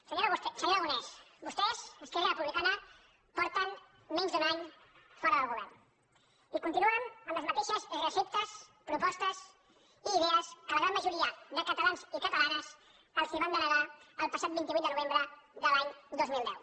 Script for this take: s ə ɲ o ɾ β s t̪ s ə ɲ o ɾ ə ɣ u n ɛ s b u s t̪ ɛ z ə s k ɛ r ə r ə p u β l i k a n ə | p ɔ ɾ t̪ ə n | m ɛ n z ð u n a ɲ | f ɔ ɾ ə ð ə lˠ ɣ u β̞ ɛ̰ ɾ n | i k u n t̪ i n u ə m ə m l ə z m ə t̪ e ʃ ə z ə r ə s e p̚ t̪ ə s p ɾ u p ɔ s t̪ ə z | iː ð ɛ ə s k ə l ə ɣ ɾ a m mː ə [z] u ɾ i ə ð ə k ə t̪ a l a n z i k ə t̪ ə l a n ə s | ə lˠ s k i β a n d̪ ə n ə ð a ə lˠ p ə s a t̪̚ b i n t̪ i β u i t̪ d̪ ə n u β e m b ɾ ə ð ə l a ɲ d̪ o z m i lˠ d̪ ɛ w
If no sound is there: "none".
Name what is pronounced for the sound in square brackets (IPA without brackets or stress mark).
ʒ